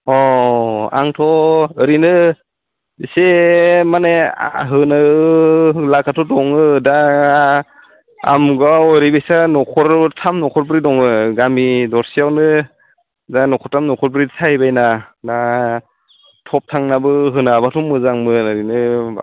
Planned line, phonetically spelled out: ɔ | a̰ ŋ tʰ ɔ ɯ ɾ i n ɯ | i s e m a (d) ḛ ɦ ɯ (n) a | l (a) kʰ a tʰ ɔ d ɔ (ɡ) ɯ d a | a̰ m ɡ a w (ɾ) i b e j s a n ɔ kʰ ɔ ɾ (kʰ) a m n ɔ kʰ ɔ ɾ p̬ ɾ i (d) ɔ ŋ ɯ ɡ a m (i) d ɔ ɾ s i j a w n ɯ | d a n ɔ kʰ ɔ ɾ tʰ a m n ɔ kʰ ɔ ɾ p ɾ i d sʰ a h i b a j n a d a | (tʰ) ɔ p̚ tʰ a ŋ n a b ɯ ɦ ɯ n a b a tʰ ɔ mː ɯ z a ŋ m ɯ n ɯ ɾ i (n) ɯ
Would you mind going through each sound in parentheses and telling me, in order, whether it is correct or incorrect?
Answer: incorrect: n, correct, correct, incorrect: ŋ, correct, incorrect: tʰ, correct, correct, correct, correct

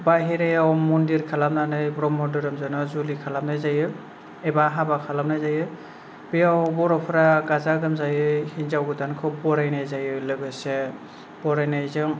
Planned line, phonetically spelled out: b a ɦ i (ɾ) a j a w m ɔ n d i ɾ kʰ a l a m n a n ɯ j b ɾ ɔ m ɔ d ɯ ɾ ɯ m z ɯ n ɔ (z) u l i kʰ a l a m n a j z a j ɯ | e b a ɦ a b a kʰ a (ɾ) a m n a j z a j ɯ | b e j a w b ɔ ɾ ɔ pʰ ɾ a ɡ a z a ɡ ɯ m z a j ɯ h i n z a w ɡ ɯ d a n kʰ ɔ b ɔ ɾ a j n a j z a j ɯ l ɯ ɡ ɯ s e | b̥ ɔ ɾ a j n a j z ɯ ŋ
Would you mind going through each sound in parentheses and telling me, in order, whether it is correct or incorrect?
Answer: correct, correct, incorrect: l

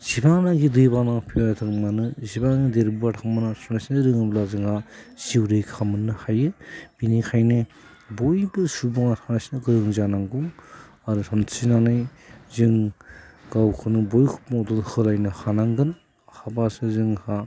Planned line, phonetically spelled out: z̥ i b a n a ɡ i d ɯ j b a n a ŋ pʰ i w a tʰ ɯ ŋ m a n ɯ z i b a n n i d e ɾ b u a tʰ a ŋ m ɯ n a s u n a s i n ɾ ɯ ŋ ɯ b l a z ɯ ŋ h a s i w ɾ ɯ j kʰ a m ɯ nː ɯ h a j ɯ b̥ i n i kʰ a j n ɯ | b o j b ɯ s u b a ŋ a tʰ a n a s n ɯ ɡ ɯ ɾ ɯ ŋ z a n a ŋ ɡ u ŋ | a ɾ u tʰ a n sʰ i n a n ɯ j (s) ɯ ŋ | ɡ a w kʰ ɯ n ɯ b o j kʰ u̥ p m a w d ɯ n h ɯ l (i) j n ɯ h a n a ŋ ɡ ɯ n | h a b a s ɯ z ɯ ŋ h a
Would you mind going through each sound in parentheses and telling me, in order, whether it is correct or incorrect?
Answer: incorrect: z, incorrect: a

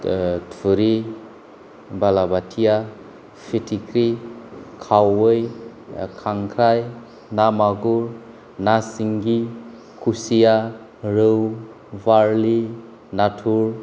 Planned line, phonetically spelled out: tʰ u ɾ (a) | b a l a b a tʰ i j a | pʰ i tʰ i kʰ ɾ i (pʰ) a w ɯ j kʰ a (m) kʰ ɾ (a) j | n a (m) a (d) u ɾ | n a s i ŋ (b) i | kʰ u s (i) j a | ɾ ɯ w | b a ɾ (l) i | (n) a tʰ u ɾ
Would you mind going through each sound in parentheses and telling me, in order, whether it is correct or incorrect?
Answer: incorrect: i, incorrect: kʰ, incorrect: ŋ, correct, correct, incorrect: ɡ, incorrect: ɡ, correct, correct, correct

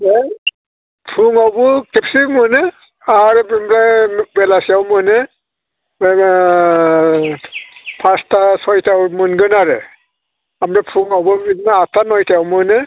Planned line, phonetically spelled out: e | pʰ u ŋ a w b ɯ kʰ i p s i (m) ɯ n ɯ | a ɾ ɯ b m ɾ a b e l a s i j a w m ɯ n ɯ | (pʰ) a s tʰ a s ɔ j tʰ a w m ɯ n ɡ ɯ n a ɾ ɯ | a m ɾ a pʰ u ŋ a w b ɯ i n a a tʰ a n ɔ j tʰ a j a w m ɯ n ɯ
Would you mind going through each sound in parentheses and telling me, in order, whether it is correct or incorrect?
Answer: correct, correct

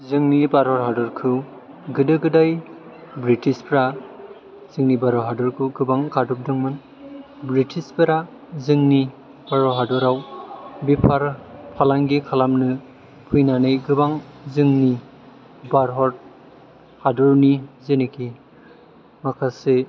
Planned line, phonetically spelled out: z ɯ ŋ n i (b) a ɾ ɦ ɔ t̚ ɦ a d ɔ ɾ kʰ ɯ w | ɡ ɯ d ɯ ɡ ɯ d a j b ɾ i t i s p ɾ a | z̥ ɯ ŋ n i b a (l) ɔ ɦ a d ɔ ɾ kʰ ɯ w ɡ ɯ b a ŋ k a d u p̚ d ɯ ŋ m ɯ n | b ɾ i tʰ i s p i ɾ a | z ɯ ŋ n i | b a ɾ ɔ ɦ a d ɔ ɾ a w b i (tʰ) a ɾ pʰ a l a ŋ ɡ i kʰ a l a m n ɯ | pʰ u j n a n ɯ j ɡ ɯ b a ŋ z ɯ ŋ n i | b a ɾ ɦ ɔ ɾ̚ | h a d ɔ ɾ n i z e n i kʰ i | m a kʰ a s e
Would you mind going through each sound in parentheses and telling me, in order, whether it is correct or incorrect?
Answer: correct, incorrect: ɾ, incorrect: pʰ

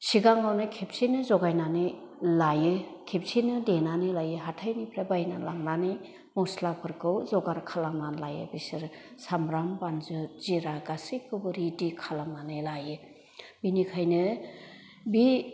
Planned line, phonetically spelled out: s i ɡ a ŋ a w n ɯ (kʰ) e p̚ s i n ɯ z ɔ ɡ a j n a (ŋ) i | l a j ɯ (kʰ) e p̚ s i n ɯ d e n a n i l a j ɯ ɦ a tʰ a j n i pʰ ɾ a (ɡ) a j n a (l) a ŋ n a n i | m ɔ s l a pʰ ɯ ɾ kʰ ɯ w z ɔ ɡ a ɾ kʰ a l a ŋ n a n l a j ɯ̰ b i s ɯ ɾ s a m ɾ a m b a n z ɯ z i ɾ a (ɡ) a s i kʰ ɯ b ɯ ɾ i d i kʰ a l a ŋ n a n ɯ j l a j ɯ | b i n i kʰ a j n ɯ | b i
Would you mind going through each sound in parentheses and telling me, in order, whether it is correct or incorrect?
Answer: correct, incorrect: n, correct, incorrect: b, correct, correct

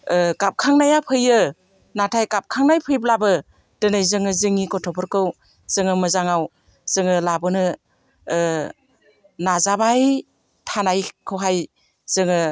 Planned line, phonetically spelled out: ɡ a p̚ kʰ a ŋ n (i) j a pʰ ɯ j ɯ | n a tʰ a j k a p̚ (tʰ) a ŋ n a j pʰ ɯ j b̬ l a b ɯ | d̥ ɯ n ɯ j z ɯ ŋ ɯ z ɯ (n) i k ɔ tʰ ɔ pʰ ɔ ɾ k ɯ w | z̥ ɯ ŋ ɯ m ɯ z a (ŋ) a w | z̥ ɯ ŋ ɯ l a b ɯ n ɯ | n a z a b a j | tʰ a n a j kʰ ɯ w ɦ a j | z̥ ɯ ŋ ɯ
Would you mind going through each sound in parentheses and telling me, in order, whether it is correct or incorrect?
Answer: incorrect: a, incorrect: kʰ, incorrect: ŋ, correct

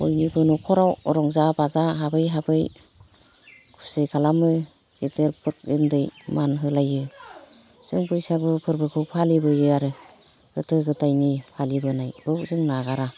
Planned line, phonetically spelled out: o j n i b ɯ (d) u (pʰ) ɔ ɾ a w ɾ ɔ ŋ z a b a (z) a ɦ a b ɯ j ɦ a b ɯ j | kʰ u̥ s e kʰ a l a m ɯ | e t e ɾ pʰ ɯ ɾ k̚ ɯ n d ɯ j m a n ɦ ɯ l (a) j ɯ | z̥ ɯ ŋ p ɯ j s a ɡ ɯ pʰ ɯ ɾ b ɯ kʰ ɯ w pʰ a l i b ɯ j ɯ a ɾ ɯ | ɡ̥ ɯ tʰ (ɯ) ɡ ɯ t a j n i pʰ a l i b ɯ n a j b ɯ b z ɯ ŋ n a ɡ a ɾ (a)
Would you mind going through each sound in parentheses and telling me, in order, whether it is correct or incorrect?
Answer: incorrect: n, incorrect: kʰ, correct, correct, correct, correct

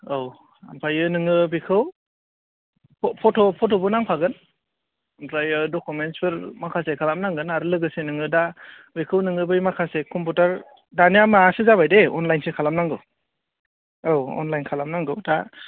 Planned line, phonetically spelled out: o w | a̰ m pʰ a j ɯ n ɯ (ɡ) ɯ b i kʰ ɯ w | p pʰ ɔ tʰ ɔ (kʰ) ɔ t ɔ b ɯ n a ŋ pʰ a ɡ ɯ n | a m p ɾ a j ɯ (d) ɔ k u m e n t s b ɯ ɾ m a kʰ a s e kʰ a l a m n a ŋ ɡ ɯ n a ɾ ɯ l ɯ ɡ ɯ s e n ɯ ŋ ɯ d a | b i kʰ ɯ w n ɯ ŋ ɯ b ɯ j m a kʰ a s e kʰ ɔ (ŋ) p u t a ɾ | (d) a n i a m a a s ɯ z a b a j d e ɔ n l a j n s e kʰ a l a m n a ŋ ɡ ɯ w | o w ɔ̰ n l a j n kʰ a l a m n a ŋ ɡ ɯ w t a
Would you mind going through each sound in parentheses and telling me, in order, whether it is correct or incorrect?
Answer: incorrect: ŋ, incorrect: pʰ, correct, incorrect: m, correct

